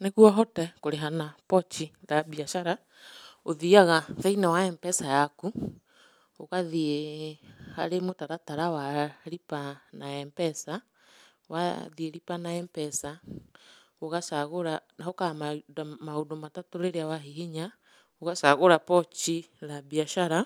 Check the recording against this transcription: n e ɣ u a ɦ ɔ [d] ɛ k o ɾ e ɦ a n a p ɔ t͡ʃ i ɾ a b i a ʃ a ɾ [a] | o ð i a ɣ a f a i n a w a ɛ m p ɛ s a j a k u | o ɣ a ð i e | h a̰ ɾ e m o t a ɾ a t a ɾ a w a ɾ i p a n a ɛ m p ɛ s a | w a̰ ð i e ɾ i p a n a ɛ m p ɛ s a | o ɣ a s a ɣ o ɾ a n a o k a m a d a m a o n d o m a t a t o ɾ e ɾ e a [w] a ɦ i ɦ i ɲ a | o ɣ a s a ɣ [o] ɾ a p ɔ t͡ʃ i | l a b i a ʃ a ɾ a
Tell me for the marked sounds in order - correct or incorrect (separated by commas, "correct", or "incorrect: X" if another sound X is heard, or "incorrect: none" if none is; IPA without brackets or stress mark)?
incorrect: t, correct, correct, correct